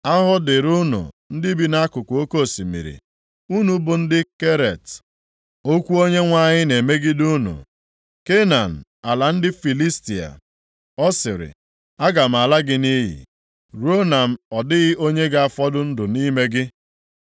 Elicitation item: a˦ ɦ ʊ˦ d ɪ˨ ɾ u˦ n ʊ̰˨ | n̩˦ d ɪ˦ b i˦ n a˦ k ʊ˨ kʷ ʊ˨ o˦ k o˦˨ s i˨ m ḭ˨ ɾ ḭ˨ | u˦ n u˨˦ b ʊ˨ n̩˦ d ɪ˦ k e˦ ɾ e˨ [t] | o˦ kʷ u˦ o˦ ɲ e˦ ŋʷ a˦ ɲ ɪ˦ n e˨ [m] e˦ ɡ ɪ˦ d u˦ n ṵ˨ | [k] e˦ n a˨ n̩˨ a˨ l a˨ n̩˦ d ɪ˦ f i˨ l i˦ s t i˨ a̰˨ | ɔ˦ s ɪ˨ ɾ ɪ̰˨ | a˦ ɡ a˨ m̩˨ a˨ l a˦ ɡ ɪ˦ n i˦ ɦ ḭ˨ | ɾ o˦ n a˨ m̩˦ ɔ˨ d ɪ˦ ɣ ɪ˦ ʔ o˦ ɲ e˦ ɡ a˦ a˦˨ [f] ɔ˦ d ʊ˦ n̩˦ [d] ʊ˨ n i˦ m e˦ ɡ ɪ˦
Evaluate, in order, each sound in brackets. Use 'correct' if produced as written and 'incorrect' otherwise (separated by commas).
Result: correct, correct, correct, correct, correct